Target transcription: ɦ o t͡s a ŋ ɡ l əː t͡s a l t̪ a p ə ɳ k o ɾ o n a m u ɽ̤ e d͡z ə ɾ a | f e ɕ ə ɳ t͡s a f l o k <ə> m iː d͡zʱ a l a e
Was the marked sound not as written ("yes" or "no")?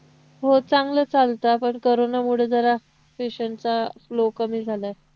no